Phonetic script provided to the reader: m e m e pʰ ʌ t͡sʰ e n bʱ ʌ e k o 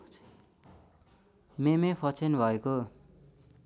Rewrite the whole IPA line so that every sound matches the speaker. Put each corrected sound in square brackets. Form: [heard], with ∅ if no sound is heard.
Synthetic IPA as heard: m e m e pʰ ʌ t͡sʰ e n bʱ ʌ e k o